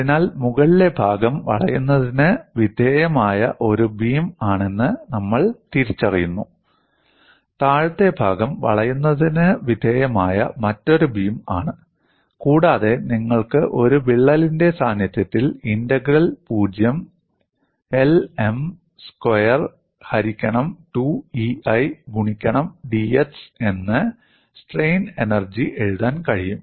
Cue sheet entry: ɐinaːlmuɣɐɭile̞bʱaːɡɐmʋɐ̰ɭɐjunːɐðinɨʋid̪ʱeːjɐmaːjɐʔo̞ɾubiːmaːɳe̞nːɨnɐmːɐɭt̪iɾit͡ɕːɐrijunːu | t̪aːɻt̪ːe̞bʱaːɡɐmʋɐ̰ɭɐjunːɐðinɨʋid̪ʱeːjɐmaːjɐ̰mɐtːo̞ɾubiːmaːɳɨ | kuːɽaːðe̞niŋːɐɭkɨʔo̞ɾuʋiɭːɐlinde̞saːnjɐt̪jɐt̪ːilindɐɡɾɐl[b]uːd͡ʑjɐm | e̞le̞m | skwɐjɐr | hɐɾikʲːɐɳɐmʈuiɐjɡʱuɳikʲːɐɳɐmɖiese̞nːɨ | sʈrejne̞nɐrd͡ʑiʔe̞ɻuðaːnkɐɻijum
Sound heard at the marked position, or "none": p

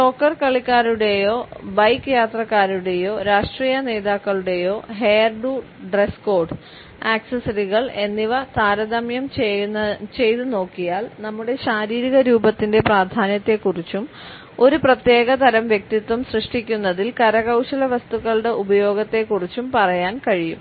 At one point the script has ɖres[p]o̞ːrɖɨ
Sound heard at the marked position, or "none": k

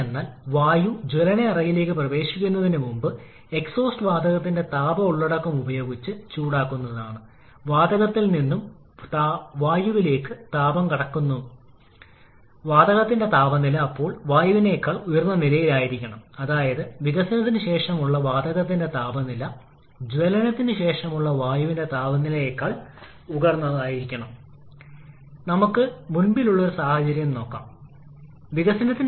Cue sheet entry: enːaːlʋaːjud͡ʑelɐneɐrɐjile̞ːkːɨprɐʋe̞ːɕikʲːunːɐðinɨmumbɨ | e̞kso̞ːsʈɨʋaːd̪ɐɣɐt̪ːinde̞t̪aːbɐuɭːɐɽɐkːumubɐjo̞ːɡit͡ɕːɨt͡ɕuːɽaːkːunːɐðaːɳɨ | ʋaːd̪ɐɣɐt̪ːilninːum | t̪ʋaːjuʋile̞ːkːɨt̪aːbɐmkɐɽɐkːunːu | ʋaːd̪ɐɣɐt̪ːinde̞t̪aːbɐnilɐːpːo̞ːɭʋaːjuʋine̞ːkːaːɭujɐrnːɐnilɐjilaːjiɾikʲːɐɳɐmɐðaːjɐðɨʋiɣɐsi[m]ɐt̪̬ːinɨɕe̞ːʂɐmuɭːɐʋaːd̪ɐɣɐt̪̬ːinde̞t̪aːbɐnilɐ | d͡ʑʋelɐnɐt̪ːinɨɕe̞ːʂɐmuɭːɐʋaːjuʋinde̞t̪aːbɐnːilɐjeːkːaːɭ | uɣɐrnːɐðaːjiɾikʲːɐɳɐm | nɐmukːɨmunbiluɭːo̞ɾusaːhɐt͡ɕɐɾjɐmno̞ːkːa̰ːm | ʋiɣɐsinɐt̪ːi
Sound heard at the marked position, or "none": n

